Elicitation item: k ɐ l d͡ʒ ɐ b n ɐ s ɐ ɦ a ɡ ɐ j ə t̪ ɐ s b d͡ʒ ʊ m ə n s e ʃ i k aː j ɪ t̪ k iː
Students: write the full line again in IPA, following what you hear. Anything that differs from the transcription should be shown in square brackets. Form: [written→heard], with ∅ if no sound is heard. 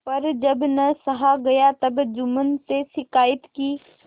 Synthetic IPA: [k→p] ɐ [l→ɾ] d͡ʒ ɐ b n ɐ s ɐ ɦ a ɡ ɐ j [ə→a] t̪ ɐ [s→∅] b d͡ʒ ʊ m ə n s e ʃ [i→ɪ] k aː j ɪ t̪ k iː